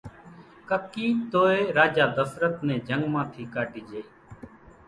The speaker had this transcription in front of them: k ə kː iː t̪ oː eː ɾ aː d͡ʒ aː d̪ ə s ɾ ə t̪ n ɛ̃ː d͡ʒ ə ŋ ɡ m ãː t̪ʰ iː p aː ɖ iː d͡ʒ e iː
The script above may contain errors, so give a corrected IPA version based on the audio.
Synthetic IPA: k ə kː iː t̪ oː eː ɾ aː d͡ʒ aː d̪ ə s ɾ ə t̪ n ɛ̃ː d͡ʒ ə ŋ ɡ m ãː t̪ʰ iː k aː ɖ iː d͡ʒ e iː

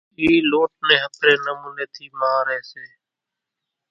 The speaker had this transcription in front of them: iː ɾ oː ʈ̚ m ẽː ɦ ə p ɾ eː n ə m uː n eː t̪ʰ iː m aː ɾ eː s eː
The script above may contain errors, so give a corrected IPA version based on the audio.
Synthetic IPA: iː l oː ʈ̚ n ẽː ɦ ə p ɾ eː n ə m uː n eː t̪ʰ iː m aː ɾ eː s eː

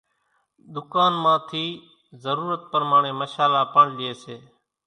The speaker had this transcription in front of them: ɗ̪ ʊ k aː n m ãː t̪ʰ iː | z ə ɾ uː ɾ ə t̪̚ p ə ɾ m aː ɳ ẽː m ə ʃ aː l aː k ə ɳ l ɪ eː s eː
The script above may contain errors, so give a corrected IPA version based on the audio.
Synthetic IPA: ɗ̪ ʊ k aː n m ãː t̪ʰ iː | z ə ɾ uː ɾ ə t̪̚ p ə ɾ m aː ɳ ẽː m ə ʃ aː l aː p ə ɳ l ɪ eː s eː

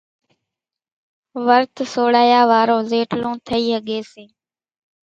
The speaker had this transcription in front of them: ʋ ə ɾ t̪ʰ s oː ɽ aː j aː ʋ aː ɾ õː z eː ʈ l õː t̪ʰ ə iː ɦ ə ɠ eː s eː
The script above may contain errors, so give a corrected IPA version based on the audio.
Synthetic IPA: ʋ ə ɾ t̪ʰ s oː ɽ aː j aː ʋ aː ɾ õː z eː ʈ l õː t̪ʰ ə iː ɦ ə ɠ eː s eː

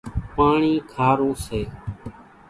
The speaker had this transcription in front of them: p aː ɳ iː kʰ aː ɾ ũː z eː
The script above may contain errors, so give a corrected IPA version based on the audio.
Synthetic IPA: p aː ɳ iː kʰ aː ɾ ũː s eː

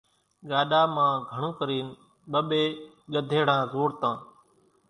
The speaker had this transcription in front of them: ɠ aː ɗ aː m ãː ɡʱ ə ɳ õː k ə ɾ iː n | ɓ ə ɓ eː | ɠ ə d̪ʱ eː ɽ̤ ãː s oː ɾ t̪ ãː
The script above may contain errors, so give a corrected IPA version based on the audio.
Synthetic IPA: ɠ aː ɗ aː m ãː ɡʱ ə ɳ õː k ə ɾ iː n | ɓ ə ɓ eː | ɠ ə d̪ʱ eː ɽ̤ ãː z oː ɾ t̪ ãː

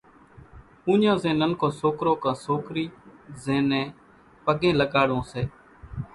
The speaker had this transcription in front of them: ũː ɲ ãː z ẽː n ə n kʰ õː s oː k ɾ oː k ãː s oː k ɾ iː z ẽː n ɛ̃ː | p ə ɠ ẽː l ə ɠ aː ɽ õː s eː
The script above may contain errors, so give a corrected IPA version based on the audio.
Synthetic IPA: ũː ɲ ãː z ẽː n ə n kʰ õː s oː k ɾ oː k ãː s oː k ɾ iː z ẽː n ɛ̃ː | p ə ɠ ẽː l ə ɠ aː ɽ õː s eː

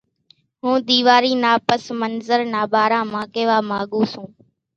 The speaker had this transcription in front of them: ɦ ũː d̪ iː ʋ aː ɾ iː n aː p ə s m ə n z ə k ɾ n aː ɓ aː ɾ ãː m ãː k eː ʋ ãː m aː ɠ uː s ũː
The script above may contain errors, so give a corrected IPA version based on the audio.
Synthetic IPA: ɦ ũː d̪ iː ʋ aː ɾ iː n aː p ə s m ə n z ə ɾ n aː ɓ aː ɾ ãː m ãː k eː ʋ aː m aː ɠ uː s ũː

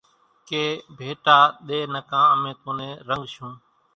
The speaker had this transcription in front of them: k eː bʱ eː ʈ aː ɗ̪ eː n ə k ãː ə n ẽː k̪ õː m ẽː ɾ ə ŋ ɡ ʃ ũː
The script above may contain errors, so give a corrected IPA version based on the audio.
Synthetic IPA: k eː bʱ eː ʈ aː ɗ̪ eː n ə k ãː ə m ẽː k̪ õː n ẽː ɾ ə ŋ ɡ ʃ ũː

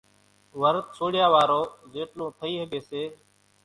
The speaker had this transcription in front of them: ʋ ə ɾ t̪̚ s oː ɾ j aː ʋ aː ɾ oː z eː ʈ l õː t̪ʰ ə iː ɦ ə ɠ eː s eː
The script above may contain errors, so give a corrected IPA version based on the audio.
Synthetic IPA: ʋ ə ɾ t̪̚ s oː ɽ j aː ʋ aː ɾ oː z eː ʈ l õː t̪ʰ ə iː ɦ ə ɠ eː s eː

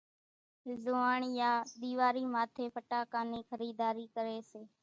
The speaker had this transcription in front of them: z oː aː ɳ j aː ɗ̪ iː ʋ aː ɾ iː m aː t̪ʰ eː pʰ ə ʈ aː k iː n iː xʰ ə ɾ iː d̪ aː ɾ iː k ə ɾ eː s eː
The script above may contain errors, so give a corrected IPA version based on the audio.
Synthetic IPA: z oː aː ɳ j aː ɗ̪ iː ʋ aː ɾ iː m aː t̪ʰ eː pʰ ə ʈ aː k aː n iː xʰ ə ɾ iː d̪ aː ɾ iː k ə ɾ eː s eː

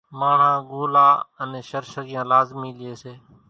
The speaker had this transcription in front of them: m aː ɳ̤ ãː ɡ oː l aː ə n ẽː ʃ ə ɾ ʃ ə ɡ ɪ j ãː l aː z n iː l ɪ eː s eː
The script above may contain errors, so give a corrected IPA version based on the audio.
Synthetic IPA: m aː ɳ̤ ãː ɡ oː l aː ə n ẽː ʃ ə ɾ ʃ ə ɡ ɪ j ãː l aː z m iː l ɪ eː s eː

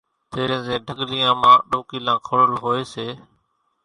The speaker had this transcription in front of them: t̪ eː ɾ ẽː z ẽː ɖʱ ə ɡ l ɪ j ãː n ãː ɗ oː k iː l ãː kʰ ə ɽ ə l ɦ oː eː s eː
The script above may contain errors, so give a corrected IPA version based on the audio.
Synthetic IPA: t̪ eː ɾ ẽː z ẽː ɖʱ ə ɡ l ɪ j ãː m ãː ɗ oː k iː l ãː kʰ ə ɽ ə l ɦ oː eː s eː

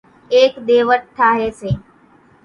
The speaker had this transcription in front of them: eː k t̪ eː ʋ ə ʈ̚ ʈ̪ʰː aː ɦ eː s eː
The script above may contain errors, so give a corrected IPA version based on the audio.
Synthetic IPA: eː k d̪ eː ʋ ə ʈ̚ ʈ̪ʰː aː ɦ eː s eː

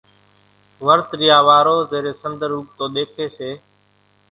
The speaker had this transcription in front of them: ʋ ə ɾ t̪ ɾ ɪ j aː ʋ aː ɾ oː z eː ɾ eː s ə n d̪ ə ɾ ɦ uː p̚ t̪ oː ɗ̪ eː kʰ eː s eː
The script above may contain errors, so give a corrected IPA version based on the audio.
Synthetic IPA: ʋ ə ɾ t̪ ɾ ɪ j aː ʋ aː ɾ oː z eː ɾ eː s ə n d̪ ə ɾ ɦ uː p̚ t̪ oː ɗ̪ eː kʰ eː s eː

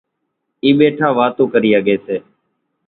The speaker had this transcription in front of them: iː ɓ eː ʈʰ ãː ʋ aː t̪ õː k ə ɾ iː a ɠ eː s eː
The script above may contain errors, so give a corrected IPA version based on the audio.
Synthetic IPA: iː ɓ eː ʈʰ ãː ʋ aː t̪ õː k ə ɾ iː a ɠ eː s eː

